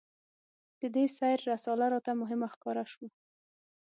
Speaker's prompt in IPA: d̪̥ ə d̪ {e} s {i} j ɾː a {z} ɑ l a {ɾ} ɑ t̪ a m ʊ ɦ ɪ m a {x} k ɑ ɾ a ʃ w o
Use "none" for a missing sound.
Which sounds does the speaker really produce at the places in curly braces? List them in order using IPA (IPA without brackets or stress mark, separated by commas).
e, a, s, ɾ, x